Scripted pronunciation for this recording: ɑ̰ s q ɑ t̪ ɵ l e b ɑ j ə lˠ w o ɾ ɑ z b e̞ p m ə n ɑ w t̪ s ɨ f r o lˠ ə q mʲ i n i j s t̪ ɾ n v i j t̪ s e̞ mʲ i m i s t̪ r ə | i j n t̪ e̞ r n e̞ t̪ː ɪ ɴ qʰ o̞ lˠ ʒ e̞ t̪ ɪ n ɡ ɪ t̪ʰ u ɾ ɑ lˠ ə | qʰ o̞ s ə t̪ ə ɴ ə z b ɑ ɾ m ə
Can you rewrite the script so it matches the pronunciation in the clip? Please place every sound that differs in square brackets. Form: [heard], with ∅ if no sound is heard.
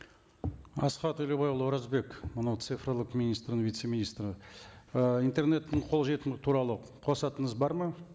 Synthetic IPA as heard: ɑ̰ s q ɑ t̪ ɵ l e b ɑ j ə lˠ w o ɾ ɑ z b e̞ [k] m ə n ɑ w t̪ s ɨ f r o lˠ ə q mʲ i n i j s t̪ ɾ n v i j t̪ s e̞ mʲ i [n] i s t̪ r ə | i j n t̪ e̞ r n e̞ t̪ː ɪ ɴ qʰ o̞ lˠ ʒ e̞ t̪ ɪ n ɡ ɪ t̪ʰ u ɾ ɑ lˠ ə | qʰ o̞ s [ɑ] t̪ ə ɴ ə z b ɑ ɾ m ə